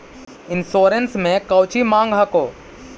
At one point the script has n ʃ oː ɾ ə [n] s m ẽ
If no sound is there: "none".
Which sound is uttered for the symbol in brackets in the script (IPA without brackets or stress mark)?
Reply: n